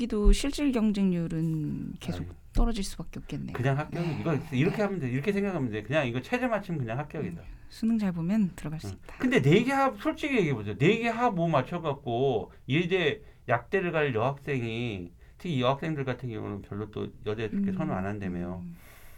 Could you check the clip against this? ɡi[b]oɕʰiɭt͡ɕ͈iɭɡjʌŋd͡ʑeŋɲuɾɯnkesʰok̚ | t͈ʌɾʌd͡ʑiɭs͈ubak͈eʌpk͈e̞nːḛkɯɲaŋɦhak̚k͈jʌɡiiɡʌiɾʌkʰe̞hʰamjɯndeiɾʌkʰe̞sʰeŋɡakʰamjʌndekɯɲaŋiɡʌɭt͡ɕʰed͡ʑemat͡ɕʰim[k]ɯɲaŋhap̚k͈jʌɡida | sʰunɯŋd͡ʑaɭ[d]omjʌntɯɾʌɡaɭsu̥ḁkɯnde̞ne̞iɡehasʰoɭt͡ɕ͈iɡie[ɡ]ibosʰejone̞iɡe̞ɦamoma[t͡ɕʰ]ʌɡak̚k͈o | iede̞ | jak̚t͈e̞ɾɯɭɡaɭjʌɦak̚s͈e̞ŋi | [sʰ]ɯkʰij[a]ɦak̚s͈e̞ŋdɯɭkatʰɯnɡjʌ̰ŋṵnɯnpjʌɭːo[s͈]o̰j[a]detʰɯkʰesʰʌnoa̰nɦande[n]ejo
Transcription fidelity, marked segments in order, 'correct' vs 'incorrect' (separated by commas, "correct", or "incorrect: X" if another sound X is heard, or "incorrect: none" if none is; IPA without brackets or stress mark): incorrect: d, correct, incorrect: b, correct, correct, incorrect: tʰ, incorrect: ʌ, incorrect: t͈, incorrect: ʌ, incorrect: m